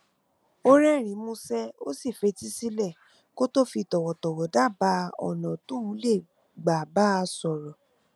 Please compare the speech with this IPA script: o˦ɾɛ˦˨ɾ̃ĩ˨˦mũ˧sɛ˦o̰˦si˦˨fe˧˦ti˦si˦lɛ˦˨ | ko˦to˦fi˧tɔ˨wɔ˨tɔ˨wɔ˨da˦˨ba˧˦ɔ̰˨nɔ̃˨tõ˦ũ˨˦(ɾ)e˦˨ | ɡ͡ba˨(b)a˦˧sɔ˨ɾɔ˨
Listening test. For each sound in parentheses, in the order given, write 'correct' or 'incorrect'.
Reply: incorrect, correct

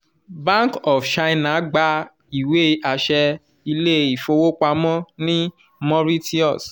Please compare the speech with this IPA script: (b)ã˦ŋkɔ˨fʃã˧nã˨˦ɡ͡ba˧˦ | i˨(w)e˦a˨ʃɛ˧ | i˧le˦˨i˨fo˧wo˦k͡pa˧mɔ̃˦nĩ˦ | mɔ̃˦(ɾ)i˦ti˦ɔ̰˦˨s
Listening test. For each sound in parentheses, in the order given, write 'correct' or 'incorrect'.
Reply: correct, correct, correct

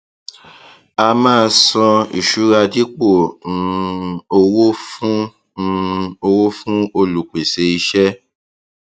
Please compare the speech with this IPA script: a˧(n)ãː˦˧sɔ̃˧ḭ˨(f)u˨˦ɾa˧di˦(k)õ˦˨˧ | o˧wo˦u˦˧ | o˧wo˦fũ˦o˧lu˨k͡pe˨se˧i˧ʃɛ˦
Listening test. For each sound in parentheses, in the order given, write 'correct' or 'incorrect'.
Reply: incorrect, incorrect, incorrect

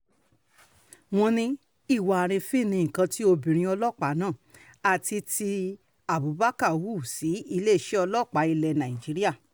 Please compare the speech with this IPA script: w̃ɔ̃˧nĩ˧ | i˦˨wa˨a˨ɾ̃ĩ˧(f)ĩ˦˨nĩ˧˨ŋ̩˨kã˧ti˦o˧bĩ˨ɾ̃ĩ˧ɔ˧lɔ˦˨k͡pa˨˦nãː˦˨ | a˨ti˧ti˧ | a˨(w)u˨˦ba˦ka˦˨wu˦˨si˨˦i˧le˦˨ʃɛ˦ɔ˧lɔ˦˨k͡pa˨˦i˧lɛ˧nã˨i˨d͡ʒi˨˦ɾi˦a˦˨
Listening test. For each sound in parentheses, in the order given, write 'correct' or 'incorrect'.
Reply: correct, incorrect

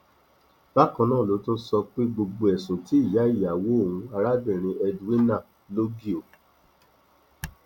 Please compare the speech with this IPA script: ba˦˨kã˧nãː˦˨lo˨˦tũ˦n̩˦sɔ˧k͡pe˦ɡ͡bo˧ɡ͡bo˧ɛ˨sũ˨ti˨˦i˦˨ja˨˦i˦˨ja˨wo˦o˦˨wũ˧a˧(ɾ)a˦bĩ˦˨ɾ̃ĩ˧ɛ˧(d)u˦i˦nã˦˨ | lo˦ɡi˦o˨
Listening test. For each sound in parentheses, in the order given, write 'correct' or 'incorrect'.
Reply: correct, correct

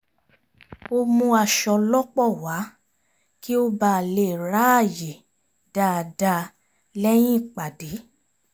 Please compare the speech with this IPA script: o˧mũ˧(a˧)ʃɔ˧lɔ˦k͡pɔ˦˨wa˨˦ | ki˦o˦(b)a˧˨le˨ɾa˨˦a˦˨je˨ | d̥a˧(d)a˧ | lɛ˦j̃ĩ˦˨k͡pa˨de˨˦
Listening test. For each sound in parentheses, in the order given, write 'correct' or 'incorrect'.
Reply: correct, correct, correct

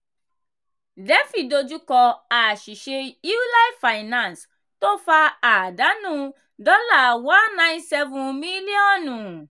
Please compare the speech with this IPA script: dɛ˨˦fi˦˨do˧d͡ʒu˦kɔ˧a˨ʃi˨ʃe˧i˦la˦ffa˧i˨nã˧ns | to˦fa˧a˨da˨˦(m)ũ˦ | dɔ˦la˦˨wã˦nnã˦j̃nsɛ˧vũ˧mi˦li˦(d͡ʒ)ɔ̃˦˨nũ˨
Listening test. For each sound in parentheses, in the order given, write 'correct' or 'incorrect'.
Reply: incorrect, incorrect

